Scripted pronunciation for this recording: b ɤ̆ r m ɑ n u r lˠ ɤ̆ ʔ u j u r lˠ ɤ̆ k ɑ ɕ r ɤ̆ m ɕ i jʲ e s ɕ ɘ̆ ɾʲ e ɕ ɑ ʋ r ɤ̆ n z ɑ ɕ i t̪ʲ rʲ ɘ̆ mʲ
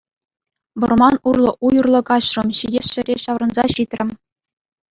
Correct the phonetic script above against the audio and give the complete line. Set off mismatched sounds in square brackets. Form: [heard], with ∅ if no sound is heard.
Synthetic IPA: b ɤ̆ r m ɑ n u r lˠ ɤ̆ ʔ u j u r lˠ ɤ̆ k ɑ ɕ r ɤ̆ m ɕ i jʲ e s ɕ ɘ̆ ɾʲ e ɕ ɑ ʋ r ɤ̆ n z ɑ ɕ i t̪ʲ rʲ ɘ̆ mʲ